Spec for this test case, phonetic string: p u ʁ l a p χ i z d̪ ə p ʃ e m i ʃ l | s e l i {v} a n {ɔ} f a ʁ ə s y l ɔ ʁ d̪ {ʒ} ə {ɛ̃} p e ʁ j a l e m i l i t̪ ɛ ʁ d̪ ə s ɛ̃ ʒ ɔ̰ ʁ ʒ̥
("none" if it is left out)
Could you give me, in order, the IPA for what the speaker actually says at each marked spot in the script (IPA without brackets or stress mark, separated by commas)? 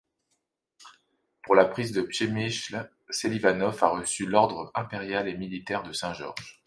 v, ɔ, ʁ, ɛ̃